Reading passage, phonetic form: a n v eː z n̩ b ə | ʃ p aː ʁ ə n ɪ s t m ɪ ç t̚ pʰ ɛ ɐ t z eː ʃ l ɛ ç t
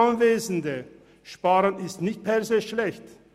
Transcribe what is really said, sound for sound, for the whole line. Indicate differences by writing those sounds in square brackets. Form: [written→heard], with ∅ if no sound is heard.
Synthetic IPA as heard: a n v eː z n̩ [b→d] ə | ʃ p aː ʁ ə n ɪ s t [m→n] ɪ ç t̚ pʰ ɛ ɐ [t→∅] z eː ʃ l ɛ ç t

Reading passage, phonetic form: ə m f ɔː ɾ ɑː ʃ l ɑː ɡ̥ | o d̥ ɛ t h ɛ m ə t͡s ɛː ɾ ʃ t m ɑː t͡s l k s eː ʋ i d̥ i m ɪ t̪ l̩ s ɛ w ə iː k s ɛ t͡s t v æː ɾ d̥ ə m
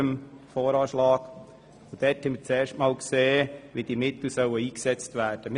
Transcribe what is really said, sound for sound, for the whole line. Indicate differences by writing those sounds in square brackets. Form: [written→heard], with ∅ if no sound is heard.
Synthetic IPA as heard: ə m f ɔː ɾ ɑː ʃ l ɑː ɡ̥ | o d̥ ɛ t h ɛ m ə t͡s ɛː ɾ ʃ t m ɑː [t͡s→∅] l k s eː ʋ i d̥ i m ɪ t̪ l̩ s [ɛ→œ] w ə iː k s ɛ t͡s t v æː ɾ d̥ ə m

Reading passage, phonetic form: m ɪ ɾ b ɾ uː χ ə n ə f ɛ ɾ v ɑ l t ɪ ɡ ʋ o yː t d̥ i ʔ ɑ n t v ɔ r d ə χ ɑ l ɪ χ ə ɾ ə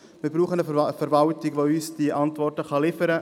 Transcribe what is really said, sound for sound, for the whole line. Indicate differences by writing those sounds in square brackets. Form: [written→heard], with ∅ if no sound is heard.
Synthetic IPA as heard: m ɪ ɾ b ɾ uː χ ə n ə f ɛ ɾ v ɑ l t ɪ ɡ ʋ o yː [t→s] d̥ i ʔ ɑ n t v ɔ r [d→t] ə χ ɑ l ɪ [χ→f] ə ɾ ə

